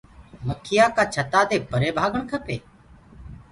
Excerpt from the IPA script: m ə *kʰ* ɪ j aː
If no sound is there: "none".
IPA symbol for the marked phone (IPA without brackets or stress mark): kʰ